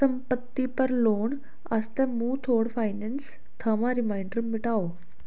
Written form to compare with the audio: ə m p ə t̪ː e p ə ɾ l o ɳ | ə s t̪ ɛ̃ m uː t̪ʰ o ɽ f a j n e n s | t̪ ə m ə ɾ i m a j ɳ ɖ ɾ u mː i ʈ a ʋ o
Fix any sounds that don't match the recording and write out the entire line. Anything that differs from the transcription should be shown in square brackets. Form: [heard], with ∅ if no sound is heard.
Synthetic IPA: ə m p ə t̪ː [i] p ə ɾ l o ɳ | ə s t̪ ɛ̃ m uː t̪ʰ o ɽ f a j n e n s | [t̪ʰ] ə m [a] ɾ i m a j ɳ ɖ ɾ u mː i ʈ a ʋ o